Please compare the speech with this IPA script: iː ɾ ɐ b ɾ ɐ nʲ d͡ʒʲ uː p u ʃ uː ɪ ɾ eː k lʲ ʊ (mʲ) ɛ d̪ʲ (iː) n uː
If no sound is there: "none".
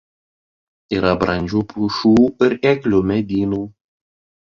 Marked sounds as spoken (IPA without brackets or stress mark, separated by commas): mʲ, iː